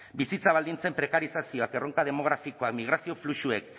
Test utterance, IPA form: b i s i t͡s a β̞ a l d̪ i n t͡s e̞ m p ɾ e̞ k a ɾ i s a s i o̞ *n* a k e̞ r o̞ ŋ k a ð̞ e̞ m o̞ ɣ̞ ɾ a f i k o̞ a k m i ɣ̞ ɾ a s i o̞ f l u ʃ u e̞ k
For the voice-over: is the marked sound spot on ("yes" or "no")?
no